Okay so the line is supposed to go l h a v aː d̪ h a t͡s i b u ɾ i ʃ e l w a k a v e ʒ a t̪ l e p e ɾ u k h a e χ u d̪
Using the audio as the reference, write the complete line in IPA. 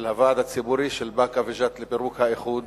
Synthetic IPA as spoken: l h a v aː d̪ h a t͡s i b u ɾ i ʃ e l b a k a v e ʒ a t̪ l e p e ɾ u k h a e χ u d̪